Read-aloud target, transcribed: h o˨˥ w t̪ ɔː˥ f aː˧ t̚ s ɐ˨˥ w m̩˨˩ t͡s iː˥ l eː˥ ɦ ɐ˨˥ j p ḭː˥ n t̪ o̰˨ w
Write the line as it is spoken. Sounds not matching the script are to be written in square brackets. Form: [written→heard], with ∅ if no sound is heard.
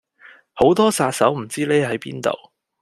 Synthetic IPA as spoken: h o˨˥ w t̪ ɔː˥ [f→s] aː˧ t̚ s ɐ˨˥ w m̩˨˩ t͡s iː˥ l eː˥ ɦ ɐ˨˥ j p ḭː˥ n t̪ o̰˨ w